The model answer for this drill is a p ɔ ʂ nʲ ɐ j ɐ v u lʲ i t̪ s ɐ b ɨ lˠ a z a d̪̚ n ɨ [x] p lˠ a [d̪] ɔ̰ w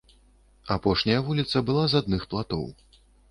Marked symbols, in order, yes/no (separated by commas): yes, no